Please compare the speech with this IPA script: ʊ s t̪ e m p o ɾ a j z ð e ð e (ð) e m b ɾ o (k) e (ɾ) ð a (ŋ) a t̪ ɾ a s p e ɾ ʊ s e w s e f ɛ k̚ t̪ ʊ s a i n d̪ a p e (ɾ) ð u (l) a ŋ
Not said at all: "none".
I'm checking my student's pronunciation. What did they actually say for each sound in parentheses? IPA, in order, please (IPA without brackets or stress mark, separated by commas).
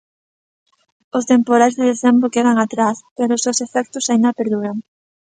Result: θ, k, none, ŋ, ɾ, ɾ